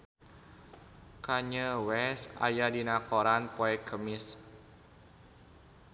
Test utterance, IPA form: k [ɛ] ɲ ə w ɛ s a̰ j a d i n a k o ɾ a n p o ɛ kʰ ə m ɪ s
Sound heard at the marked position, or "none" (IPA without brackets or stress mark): a